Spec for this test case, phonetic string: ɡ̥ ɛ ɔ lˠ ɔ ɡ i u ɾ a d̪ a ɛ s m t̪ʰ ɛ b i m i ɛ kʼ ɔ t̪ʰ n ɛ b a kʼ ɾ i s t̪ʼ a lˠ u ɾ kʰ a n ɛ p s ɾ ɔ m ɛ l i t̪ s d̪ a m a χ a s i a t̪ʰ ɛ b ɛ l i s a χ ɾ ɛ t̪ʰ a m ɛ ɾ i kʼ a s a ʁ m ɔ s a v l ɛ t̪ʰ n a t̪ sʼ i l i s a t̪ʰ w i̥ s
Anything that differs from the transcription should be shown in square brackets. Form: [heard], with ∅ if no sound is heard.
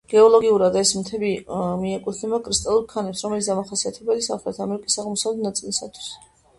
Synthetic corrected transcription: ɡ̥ ɛ ɔ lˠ ɔ ɡ i u ɾ a d̪ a ɛ s m t̪ʰ ɛ b i m i ɛ kʼ [u] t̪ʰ n ɛ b a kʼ ɾ i s t̪ʼ a lˠ u ɾ kʰ a n ɛ p s ɾ ɔ m ɛ l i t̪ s d̪ a m a χ a s i a t̪ʰ ɛ b ɛ l i s a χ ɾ ɛ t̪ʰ a m ɛ ɾ i kʼ [i] s a ʁ m ɔ s a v l ɛ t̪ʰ n a t̪ sʼ i l i s a t̪ʰ w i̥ s